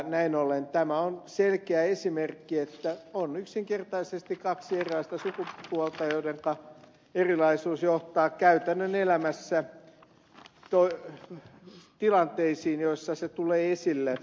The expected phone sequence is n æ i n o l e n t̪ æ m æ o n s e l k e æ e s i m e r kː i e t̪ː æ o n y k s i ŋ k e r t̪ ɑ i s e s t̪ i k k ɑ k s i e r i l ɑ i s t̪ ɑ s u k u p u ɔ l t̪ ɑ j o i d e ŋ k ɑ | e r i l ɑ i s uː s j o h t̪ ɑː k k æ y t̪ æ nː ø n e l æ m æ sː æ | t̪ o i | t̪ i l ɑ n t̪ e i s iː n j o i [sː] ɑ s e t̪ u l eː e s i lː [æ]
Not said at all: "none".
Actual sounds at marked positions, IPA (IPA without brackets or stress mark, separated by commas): sː, e